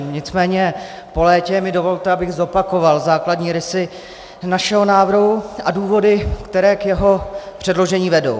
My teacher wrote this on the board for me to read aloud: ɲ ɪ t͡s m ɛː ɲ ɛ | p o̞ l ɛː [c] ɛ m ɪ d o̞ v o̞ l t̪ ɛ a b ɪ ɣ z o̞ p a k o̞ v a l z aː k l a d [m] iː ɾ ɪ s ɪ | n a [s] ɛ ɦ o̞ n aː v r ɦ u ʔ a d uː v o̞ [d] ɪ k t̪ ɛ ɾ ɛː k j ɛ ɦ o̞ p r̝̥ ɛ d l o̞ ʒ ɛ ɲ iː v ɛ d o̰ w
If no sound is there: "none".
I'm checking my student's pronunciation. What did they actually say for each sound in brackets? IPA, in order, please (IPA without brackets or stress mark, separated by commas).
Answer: c, ɲ, ʃ, d